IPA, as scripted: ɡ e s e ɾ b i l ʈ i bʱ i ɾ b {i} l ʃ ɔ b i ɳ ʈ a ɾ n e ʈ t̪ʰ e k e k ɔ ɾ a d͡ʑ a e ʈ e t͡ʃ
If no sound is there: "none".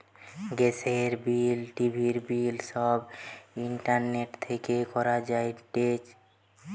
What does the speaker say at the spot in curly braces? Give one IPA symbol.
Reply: i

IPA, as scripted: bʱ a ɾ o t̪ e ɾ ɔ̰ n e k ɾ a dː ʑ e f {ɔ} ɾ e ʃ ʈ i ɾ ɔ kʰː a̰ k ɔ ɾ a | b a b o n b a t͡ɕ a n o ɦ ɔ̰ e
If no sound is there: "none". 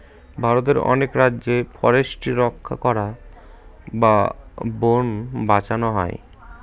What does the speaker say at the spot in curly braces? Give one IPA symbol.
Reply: ɔ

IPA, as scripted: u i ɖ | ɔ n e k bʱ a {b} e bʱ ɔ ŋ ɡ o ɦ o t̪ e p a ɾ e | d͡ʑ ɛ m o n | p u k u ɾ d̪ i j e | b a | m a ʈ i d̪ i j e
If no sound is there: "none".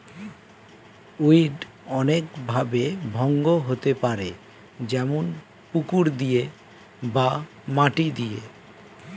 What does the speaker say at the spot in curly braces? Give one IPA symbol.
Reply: b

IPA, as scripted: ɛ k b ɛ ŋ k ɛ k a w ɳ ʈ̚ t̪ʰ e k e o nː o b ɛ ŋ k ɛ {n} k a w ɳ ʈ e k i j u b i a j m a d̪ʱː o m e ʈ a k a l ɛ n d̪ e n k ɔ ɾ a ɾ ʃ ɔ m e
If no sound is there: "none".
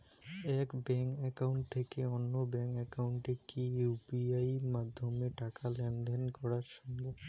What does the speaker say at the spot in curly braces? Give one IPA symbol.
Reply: none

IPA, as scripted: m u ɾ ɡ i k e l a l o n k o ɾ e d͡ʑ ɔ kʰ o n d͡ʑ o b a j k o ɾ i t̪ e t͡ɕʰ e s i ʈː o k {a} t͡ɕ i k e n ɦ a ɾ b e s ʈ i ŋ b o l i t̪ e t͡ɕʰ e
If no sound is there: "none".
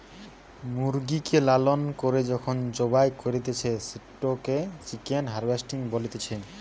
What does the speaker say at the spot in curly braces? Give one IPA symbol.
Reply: e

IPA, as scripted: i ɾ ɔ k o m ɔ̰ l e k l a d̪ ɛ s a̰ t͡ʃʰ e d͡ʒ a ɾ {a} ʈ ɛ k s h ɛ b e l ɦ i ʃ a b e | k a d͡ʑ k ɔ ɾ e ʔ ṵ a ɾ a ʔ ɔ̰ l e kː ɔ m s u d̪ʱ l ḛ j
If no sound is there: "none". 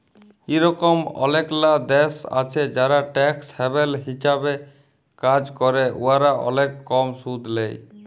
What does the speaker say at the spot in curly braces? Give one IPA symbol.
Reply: a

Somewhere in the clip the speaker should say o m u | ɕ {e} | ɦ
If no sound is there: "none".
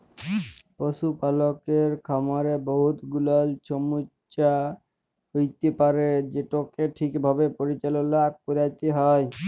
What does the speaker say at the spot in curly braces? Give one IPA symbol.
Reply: a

